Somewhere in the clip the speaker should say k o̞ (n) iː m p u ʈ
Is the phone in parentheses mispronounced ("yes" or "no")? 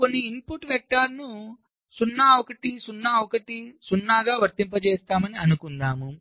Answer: yes